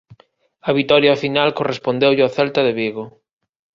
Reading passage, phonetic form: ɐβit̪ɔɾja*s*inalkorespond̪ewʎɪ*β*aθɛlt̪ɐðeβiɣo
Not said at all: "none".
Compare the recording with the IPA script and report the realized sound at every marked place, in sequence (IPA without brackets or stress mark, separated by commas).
f, none